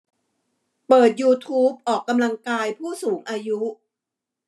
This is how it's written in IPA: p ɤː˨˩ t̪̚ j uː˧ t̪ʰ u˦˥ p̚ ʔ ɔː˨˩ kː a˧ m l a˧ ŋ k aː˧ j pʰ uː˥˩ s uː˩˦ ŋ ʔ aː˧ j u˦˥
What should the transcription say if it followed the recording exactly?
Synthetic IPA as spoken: p ɤː˨˩ t̪̚ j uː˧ t̪ʰ uː˦˥ p̚ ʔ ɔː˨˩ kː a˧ m l a˧ ŋ k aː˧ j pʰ uː˥˩ s uː˩˦ ŋ ʔ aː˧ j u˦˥